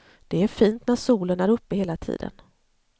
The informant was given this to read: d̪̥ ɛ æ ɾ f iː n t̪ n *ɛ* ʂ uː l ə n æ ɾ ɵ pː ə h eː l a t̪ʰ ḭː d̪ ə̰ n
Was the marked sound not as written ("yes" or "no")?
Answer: yes